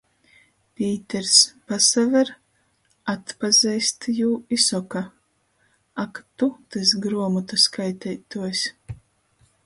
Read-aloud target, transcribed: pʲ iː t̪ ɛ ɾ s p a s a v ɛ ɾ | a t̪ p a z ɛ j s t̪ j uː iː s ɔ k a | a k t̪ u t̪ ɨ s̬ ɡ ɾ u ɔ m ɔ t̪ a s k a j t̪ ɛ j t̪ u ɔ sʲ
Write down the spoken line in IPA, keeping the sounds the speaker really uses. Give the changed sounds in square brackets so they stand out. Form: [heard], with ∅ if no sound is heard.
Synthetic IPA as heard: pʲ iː t̪ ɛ ɾ s p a s a v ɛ ɾ | a t̪ p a z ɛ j s t̪ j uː [i] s ɔ k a | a k t̪ u t̪ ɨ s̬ ɡ ɾ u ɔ m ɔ t̪ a s k a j t̪ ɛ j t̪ u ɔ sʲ